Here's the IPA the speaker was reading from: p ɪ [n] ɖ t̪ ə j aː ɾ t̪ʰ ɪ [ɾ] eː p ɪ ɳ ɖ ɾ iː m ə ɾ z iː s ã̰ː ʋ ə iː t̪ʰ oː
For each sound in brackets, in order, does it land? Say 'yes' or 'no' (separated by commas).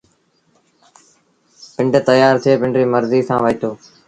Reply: no, no